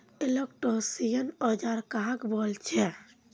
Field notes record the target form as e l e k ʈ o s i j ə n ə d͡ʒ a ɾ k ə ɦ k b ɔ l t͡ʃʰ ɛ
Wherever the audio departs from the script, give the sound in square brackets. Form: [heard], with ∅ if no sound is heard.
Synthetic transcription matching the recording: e l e k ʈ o s i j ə n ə d͡ʒ a ɾ k [a] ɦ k b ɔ l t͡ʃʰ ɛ